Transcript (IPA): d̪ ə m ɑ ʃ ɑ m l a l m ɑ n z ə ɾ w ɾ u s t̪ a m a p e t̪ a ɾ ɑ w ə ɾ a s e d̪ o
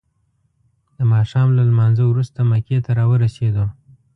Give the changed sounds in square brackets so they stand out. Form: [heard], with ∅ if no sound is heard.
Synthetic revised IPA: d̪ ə m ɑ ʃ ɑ m l a l m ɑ n z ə [∅] w ɾ u s t̪ a m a [k] e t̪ a ɾ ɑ w ə ɾ a s e d̪ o